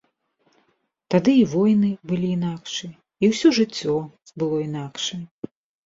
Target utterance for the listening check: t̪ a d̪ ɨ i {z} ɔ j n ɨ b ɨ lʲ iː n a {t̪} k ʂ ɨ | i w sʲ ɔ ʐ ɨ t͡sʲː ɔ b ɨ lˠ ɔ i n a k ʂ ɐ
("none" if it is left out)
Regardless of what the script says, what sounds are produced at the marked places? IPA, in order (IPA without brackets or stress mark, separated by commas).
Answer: v, none